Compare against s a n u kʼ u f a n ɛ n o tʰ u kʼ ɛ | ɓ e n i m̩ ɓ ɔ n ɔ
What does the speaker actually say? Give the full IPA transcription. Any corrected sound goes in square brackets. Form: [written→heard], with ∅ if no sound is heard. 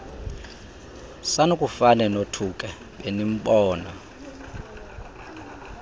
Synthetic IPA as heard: s a n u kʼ u f a n ɛ n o tʰ u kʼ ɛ | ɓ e n i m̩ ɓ [ɔ→ɔː] n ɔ